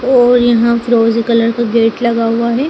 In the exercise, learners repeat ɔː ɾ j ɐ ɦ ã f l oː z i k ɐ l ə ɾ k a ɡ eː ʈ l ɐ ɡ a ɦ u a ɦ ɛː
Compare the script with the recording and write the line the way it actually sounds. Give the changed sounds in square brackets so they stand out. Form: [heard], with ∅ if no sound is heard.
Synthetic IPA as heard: ɔː ɾ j ɐ ɦ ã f [ɾ] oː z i k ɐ l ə ɾ k a ɡ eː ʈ l ɐ ɡ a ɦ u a ɦ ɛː